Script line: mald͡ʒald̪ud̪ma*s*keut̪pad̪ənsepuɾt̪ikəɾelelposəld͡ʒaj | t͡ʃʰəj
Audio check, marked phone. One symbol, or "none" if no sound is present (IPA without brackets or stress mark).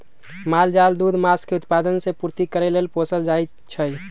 s